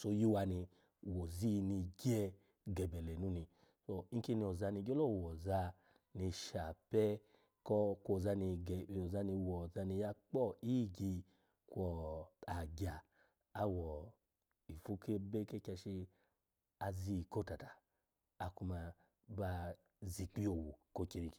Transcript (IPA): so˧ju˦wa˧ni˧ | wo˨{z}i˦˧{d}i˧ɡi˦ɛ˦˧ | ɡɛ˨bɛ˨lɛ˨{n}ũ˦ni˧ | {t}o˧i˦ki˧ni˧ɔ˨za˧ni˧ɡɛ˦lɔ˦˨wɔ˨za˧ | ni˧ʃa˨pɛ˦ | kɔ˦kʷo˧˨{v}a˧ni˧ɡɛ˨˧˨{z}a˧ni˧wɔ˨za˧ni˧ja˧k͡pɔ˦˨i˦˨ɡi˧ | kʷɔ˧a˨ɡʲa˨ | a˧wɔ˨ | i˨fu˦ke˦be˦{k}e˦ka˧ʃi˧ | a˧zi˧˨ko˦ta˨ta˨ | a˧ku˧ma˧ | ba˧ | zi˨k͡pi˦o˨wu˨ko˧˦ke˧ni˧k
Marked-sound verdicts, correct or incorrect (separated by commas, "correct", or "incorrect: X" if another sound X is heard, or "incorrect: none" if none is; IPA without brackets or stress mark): correct, incorrect: n, correct, incorrect: s, incorrect: z, correct, correct